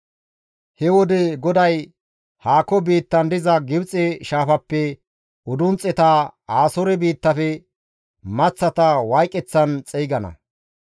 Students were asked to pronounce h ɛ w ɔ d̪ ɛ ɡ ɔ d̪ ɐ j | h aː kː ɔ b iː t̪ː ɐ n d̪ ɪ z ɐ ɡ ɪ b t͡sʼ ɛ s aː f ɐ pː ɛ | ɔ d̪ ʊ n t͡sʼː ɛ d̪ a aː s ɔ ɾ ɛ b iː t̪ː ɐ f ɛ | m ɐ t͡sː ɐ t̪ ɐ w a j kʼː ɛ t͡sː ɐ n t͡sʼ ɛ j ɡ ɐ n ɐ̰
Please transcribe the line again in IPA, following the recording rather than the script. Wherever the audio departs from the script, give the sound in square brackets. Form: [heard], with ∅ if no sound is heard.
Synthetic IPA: h ɛ w ɔ d̪ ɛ ɡ ɔ d̪ ɐ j | h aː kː ɔ b iː t̪ː ɐ n d̪ ɪ z ɐ ɡ ɪ b t͡sʼ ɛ [ʃ] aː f ɐ pː ɛ | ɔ d̪ ʊ n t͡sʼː ɛ [t̪] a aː s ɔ ɾ ɛ b iː t̪ː ɐ f ɛ | m ɐ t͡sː ɐ t̪ ɐ w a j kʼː ɛ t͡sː ɐ n t͡sʼ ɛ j ɡ ɐ n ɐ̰